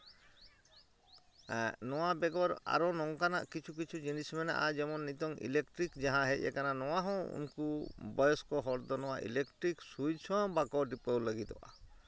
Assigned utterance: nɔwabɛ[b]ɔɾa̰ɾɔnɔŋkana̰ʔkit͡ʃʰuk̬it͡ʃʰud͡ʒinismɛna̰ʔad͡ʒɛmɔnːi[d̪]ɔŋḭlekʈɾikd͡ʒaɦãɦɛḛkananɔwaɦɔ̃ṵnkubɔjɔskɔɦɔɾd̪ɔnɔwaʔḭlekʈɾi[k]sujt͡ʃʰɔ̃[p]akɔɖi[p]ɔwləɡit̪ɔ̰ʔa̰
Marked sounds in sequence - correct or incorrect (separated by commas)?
incorrect, incorrect, correct, incorrect, correct